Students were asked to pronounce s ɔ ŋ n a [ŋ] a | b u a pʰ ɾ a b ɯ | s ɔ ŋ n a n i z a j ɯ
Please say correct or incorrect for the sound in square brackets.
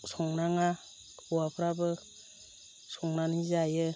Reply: correct